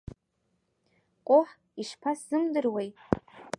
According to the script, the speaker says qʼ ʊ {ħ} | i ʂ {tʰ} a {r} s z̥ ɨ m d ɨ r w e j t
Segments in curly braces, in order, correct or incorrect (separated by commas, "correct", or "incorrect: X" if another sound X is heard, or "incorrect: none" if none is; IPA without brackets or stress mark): correct, incorrect: pʰ, incorrect: none